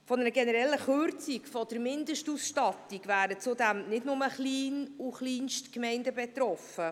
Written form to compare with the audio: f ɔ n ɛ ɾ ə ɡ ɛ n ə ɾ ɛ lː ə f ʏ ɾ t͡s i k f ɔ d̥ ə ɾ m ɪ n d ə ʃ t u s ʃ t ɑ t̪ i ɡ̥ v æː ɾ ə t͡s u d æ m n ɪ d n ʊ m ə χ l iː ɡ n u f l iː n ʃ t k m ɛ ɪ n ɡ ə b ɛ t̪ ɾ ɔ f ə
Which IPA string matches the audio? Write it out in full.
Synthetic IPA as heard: f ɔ n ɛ ɾ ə ɡ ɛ n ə ɾ ɛ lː ə χ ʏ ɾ t͡s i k f ɔ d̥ ə ɾ m ɪ n d ə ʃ t u s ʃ t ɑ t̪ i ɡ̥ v æː ɾ ə t͡s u d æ m n ɪ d n ʊ m ə χ l iː n u χ l iː n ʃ t k m ɛ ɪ n d ə b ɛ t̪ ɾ ɔ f ə